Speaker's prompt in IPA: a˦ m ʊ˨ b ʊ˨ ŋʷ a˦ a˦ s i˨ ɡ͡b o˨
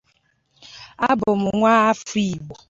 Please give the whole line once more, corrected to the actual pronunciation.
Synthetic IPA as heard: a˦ b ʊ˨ m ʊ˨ ŋʷ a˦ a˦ f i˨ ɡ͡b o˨